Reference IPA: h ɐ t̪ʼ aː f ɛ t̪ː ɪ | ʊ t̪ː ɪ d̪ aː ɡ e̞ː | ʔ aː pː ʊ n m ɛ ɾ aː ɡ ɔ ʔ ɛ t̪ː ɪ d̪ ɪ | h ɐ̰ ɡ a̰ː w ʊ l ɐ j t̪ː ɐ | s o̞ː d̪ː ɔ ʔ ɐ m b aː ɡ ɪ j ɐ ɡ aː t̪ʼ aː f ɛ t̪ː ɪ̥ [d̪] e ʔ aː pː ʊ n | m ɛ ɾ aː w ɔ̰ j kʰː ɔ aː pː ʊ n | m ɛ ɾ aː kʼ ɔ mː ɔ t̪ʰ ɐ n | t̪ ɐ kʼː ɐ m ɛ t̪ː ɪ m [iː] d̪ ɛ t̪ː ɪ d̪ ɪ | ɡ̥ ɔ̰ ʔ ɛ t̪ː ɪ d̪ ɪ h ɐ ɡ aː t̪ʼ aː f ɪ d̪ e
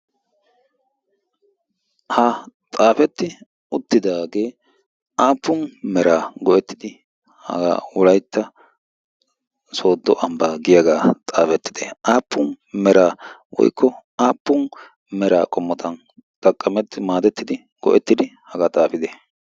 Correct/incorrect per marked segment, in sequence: correct, incorrect: aː

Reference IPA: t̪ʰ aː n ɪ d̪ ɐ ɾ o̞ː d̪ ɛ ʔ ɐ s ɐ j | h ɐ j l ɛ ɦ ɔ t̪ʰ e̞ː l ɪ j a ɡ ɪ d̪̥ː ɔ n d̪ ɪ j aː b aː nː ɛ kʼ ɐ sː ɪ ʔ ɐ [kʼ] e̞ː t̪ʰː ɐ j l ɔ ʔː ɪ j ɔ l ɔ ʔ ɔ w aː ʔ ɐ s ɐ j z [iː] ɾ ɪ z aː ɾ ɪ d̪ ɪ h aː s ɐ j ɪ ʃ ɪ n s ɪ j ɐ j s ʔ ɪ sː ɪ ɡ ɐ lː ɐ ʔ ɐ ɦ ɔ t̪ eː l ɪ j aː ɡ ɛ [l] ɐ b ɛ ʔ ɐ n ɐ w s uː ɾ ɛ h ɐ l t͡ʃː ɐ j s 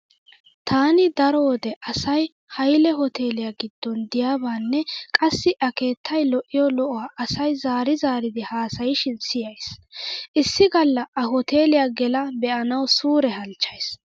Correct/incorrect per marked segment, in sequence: incorrect: k, incorrect: aː, correct

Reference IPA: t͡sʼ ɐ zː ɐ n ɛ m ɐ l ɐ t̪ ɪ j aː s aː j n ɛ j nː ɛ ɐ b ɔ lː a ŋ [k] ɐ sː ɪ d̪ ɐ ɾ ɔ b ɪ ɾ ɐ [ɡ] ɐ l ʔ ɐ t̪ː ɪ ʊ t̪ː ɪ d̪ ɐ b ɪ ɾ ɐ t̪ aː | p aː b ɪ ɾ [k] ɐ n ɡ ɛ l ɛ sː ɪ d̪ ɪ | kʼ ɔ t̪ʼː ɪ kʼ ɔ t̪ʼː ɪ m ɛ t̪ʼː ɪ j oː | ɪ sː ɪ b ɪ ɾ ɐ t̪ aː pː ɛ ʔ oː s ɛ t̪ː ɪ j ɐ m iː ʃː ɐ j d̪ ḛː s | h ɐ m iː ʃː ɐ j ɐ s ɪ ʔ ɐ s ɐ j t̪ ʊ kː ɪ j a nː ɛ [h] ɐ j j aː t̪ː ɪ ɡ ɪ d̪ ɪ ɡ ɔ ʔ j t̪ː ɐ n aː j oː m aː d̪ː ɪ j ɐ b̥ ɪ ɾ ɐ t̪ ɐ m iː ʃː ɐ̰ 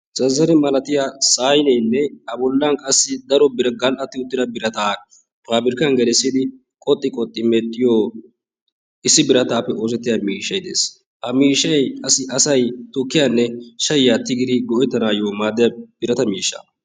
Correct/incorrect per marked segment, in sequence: incorrect: kʼ, correct, correct, incorrect: ʃ

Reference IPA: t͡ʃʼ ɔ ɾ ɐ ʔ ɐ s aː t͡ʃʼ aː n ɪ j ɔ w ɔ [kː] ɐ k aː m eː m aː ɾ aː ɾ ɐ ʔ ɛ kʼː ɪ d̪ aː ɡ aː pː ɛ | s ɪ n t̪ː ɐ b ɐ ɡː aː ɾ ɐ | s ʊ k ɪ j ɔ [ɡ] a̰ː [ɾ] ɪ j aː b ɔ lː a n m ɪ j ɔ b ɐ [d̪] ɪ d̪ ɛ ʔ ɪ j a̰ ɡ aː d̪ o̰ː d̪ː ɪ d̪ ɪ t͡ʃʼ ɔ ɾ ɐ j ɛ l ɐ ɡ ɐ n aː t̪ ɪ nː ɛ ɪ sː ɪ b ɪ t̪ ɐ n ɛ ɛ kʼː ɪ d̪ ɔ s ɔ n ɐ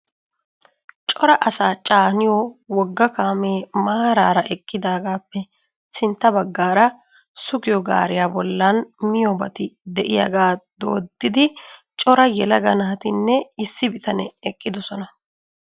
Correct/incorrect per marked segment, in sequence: incorrect: ɡː, correct, correct, incorrect: t̪

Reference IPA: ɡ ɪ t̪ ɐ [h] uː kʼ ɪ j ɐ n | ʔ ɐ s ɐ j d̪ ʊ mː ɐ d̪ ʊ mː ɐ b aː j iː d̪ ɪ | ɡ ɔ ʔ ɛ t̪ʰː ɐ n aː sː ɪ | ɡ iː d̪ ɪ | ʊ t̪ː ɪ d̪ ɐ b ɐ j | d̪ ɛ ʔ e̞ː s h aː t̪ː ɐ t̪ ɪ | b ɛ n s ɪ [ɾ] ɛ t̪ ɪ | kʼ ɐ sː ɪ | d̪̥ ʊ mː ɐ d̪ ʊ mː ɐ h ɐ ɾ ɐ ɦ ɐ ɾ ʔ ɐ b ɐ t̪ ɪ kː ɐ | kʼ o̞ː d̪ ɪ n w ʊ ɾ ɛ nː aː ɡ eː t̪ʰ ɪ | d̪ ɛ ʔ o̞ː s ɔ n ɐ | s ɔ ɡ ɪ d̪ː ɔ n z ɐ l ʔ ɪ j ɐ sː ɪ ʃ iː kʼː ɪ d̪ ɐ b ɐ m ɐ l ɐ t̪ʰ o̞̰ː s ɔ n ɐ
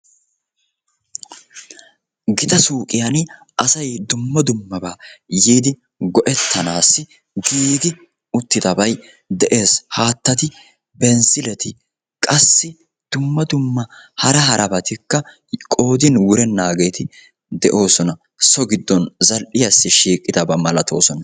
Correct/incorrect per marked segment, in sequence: incorrect: s, incorrect: l

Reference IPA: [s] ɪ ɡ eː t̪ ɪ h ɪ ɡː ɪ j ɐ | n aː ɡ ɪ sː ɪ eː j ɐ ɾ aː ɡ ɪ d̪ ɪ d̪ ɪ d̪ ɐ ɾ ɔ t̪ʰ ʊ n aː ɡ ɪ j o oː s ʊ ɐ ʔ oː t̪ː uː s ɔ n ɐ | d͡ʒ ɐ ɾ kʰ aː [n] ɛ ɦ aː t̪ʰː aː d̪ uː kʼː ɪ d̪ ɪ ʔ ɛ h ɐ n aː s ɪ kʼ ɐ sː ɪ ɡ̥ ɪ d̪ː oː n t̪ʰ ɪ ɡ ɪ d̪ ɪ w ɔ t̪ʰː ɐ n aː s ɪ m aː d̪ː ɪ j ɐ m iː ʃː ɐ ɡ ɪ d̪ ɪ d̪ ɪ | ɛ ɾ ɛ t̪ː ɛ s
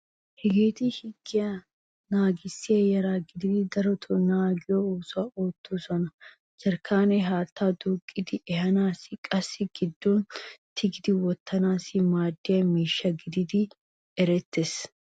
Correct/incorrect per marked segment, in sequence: incorrect: h, correct

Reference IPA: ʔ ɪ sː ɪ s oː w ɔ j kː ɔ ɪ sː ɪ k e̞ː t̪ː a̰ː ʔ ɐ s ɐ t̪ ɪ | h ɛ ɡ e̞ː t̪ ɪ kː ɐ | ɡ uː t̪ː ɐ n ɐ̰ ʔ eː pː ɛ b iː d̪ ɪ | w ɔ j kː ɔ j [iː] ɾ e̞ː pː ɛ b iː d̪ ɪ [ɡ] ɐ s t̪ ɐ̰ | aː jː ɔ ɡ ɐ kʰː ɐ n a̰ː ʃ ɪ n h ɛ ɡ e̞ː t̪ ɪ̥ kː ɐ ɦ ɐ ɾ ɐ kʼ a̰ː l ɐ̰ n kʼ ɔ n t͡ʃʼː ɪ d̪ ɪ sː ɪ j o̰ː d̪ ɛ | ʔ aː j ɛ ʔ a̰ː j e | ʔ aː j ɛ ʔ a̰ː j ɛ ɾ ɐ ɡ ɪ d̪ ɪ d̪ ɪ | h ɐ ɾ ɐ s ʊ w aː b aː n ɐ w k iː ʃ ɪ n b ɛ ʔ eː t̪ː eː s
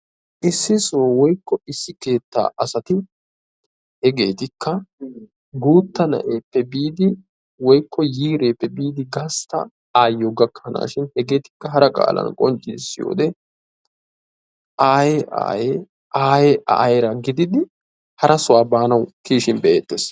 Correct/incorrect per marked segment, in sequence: correct, correct

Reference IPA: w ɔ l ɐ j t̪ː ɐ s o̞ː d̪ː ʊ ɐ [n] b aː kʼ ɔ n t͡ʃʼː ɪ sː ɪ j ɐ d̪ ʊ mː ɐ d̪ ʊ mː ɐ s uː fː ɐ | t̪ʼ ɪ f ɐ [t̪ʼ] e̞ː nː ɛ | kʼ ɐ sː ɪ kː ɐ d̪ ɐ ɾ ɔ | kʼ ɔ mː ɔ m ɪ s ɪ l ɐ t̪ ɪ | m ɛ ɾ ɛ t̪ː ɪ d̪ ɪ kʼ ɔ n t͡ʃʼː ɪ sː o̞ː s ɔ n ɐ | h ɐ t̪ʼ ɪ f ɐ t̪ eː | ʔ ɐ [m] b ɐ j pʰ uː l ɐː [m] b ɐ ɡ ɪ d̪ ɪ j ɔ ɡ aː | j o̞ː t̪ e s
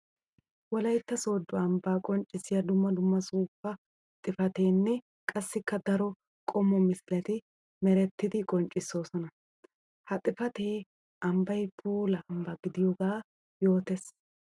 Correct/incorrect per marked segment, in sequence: incorrect: m, incorrect: t̪, correct, correct

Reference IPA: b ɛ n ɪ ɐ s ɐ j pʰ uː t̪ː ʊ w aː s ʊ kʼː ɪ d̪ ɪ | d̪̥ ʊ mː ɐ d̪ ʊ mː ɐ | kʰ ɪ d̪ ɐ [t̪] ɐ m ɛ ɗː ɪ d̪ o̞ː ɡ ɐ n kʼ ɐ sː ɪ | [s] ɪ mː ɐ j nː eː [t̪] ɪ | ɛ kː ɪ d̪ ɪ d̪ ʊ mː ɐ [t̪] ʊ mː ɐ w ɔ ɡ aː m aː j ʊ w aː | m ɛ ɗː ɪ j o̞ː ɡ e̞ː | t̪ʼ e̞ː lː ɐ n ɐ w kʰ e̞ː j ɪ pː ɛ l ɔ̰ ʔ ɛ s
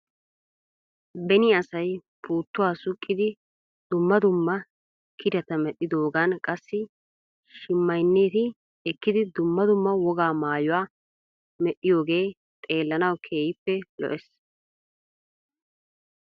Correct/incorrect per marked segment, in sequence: correct, incorrect: ʃ, correct, incorrect: d̪

